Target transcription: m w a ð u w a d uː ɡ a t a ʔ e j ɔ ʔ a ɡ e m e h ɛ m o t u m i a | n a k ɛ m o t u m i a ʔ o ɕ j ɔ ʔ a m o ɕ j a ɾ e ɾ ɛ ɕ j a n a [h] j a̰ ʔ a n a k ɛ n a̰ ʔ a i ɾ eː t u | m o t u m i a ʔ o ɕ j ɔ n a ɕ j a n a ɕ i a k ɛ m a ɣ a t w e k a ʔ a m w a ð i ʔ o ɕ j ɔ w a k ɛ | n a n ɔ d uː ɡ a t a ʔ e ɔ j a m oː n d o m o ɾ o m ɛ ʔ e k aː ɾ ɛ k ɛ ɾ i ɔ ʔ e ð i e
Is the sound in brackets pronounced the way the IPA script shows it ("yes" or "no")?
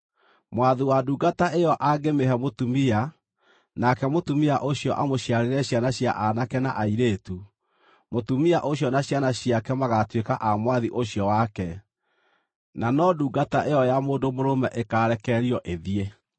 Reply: no